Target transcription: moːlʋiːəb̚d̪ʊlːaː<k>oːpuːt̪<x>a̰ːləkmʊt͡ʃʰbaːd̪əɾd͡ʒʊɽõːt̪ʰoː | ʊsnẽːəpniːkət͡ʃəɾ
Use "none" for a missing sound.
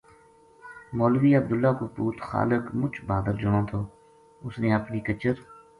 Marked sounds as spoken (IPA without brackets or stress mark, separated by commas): k, x